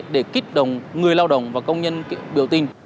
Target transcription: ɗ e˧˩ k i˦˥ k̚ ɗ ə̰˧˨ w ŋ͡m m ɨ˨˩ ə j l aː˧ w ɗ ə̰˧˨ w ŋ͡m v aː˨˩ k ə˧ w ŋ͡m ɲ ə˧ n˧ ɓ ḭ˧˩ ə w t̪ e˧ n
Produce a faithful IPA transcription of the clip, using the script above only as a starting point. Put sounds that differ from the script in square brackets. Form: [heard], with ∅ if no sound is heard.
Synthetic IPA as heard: ɗ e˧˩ k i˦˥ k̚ ɗ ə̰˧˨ w ŋ͡m [ŋ] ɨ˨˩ ə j l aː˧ w ɗ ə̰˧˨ w ŋ͡m v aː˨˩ k ə˧ w ŋ͡m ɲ ə˧ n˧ ɓ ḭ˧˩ ə w t̪ [i˧] n